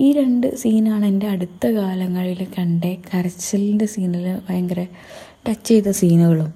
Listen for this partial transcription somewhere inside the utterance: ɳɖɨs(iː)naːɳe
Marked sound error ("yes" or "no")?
no